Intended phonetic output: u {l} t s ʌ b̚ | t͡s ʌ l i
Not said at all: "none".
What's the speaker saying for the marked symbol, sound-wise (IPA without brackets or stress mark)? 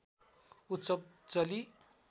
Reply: none